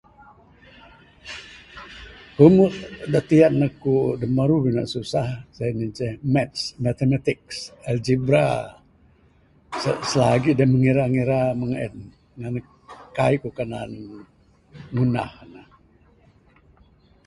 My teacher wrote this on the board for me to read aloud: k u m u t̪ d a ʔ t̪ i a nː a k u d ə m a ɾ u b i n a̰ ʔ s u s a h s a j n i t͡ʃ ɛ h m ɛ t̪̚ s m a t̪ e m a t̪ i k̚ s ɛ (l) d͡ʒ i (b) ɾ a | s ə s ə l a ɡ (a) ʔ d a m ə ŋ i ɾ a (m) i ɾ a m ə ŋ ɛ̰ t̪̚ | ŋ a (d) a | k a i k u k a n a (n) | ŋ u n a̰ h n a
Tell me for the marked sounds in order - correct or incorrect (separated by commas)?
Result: correct, correct, incorrect, incorrect, incorrect, correct